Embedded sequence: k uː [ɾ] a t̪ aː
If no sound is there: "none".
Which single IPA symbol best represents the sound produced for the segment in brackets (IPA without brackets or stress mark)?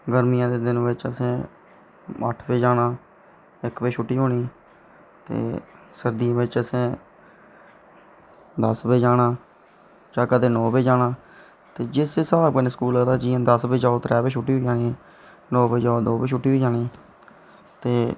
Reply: l